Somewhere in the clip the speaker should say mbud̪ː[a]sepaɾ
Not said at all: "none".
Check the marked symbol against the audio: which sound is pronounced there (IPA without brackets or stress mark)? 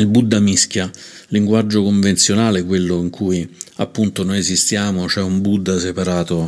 a